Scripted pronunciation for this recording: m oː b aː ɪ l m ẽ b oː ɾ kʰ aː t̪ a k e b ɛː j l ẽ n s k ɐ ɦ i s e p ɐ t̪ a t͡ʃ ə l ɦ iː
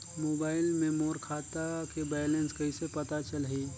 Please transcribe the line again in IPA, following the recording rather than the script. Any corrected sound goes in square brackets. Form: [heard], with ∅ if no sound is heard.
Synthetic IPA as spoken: m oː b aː ɪ l m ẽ [m] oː ɾ kʰ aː t̪ a k e b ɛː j l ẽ n s k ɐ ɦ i s e p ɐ t̪ a t͡ʃ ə l ɦ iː